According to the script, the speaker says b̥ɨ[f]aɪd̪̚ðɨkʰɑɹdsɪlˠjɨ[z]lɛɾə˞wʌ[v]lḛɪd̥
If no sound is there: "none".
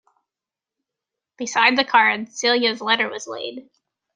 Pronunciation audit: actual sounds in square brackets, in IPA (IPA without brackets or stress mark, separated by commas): s, z, z